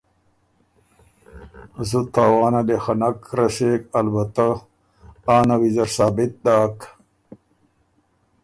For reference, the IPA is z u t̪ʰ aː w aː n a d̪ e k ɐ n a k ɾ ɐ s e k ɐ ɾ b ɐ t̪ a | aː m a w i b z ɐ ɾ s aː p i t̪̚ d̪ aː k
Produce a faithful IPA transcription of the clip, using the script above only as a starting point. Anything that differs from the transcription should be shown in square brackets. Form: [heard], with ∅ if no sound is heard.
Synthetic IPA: z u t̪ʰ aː w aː n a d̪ e [x] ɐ n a k ɾ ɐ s e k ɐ [l] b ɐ t̪ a | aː [n] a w i [∅] z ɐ ɾ s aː [b] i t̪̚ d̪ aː k